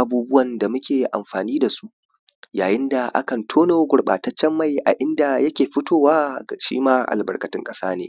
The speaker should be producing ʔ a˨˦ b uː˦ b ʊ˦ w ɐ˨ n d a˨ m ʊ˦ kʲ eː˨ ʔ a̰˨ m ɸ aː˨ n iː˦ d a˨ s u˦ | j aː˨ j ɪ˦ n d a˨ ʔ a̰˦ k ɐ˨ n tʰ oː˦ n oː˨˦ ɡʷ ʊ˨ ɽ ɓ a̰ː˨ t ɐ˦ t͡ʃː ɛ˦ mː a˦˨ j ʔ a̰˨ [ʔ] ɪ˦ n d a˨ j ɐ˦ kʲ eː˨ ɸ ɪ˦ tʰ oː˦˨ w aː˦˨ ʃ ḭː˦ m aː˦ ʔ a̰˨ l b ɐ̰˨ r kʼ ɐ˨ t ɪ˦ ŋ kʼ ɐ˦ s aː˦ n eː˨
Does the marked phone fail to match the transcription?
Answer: no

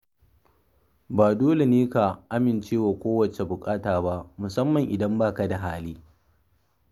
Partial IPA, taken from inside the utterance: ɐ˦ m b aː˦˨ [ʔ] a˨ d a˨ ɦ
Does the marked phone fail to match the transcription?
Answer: yes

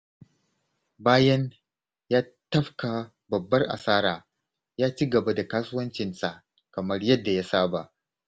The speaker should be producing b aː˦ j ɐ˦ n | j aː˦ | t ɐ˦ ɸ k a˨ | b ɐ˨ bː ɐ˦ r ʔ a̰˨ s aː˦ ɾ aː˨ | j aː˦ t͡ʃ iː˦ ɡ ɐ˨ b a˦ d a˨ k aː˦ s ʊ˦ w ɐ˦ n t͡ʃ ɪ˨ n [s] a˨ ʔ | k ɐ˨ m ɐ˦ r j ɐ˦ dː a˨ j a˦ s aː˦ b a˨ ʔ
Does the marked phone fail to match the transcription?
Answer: no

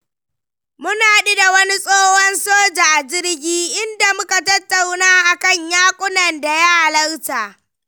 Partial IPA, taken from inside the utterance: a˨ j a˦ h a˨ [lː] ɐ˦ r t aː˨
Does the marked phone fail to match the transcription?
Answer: yes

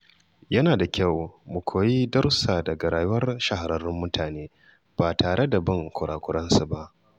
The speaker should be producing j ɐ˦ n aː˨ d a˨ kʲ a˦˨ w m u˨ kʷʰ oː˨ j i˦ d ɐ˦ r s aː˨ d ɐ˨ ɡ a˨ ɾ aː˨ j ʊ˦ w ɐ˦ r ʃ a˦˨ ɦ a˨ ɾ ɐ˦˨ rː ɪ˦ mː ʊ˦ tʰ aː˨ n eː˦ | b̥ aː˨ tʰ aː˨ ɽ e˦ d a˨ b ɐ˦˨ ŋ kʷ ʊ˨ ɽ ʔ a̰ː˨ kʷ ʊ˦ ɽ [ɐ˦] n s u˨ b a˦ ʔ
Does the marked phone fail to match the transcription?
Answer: no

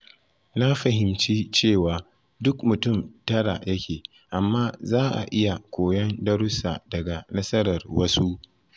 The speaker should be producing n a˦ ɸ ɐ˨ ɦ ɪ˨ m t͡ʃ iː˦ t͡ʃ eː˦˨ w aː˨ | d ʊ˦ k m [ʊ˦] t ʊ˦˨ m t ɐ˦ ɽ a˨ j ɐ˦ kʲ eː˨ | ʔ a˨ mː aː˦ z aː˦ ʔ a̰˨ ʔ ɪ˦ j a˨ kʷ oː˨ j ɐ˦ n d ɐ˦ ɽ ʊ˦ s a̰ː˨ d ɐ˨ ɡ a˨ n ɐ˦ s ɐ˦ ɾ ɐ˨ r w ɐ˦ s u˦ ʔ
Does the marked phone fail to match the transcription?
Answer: yes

